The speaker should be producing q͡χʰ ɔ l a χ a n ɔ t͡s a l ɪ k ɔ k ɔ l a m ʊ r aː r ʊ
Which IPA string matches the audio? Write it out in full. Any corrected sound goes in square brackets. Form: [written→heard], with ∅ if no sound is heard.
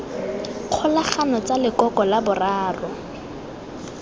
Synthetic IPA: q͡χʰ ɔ l a χ a n ɔ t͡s a l ɪ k ɔ k ɔ l a [m→b] ʊ r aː r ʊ